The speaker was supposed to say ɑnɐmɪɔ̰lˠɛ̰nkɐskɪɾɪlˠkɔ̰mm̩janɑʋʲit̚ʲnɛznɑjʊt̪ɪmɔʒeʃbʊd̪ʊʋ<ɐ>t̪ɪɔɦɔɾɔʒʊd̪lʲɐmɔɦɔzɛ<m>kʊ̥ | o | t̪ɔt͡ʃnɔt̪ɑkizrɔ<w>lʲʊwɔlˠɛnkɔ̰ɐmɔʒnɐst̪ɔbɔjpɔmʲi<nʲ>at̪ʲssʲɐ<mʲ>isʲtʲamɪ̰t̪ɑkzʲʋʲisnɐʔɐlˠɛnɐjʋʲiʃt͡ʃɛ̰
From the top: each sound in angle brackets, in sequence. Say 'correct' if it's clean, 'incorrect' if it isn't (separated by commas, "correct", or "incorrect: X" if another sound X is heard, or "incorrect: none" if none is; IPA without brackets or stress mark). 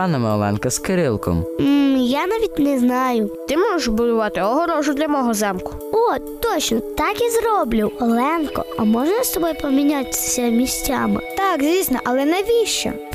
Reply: incorrect: ɑ, correct, incorrect: b, correct, correct